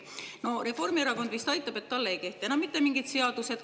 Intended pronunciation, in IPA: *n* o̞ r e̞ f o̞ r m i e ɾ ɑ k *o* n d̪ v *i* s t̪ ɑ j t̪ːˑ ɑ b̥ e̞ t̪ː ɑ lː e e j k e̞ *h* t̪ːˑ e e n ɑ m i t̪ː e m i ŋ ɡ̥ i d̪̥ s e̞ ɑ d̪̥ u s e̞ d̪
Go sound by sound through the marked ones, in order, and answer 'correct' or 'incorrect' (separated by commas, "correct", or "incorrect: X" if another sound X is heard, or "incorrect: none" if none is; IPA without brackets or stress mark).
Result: correct, correct, correct, correct